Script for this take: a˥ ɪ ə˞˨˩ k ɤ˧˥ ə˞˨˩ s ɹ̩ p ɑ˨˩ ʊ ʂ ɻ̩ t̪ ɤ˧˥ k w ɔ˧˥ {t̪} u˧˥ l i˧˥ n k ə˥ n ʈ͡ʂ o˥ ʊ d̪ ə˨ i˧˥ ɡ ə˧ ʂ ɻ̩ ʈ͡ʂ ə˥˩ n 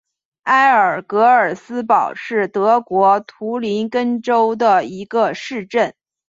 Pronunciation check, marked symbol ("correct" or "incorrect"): incorrect